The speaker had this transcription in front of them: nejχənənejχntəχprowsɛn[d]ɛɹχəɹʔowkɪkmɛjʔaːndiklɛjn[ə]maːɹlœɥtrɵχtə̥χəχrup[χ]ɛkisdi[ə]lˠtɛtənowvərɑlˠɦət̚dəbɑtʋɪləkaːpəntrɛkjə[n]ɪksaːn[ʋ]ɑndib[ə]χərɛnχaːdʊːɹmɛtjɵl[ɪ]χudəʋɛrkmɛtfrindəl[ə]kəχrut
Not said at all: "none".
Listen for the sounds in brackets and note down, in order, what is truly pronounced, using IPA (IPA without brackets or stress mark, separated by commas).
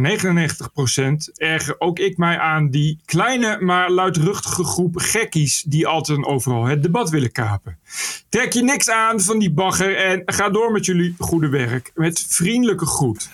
t, ə, χ, ɑ, n, v, ɑ, i, ə